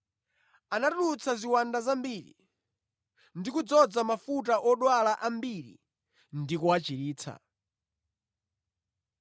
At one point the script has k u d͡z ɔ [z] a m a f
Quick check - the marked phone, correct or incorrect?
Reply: incorrect